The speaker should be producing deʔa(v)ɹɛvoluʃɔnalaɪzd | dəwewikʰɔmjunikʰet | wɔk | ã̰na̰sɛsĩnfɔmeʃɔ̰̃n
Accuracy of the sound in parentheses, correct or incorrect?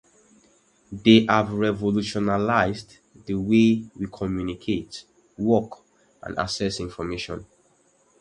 correct